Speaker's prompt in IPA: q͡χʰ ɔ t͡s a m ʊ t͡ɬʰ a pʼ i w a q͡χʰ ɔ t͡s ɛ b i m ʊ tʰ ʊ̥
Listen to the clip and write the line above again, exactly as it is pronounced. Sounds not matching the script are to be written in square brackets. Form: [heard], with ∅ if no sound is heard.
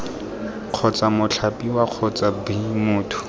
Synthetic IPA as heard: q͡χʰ ɔ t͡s a m ʊ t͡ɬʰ a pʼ i w a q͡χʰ ɔ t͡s [a] b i m [ʊː] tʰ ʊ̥